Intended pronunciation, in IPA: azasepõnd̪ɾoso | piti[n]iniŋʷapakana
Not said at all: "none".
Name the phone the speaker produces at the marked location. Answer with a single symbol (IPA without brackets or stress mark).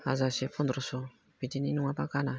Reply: n